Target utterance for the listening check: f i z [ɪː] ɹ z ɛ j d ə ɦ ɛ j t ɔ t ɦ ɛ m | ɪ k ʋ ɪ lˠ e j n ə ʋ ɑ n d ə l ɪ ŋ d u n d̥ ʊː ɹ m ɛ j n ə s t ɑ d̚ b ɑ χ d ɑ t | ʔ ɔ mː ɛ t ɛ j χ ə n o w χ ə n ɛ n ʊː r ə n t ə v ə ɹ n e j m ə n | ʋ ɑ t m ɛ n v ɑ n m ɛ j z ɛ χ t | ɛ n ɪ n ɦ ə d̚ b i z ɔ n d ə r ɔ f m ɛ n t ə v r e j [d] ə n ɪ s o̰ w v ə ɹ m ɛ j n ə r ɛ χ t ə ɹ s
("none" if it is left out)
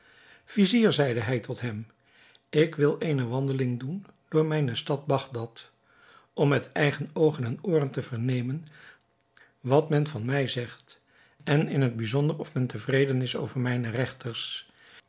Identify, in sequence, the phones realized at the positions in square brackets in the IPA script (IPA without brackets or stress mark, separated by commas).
iː, d